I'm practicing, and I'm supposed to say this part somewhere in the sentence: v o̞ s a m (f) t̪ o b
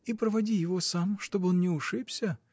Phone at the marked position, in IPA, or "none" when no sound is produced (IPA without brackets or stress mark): ʂ